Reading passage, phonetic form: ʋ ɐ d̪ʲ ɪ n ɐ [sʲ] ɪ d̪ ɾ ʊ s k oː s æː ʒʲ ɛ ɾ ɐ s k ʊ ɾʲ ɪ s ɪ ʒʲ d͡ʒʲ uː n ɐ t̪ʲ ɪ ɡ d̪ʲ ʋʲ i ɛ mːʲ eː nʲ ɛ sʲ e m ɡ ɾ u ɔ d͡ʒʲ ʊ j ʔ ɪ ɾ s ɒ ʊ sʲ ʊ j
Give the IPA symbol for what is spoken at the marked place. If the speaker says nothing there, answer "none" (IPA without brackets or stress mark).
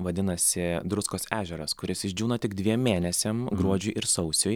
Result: sʲ